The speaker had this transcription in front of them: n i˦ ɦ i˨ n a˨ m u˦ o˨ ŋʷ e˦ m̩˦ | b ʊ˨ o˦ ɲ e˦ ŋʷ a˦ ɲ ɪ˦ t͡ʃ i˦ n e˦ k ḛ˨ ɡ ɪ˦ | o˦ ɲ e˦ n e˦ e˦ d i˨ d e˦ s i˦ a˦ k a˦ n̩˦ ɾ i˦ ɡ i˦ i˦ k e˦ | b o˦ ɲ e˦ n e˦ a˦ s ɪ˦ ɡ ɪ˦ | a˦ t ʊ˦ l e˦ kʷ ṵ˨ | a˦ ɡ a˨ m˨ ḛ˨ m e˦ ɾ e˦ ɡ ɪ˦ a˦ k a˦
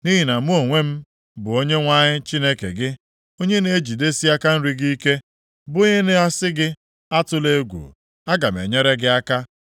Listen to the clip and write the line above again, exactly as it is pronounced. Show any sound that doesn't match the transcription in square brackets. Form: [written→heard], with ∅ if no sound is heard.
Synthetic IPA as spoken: n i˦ ɦ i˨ n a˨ m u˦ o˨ ŋʷ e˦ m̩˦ | b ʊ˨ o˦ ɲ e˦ ŋʷ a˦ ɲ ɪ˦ t͡ʃ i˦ n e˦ k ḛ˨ ɡ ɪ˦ | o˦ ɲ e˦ n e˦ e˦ [d→d͡ʒ] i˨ d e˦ s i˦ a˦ k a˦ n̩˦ ɾ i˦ ɡ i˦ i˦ k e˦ | b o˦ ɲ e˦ n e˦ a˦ s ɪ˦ ɡ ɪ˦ | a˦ t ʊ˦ l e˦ [kʷ→ɡʷ] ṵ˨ | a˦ ɡ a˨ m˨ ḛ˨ [m→ɲ] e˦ ɾ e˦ ɡ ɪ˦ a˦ k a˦